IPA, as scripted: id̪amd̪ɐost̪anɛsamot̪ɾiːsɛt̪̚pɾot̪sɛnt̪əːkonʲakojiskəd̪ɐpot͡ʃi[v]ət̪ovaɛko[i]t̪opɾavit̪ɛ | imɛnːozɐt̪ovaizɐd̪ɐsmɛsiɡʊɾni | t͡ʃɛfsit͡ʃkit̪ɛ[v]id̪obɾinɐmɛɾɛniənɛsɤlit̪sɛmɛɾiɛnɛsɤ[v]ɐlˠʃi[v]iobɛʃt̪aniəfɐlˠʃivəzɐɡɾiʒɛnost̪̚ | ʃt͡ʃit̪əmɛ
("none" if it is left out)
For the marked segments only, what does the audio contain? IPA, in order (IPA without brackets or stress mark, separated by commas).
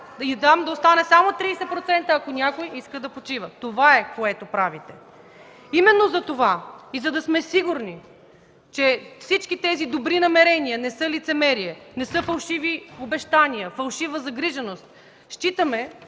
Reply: v, ɛ, z, f, v